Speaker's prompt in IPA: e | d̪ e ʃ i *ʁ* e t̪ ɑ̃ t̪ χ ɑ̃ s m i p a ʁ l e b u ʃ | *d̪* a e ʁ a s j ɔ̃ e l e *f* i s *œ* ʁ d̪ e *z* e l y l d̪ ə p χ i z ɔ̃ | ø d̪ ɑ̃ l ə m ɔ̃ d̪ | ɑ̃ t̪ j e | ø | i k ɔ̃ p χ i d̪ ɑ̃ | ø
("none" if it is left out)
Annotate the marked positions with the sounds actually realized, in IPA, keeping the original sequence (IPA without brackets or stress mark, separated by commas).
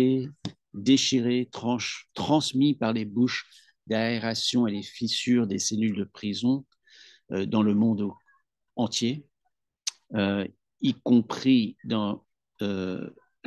ʁ, d̪, f, y, s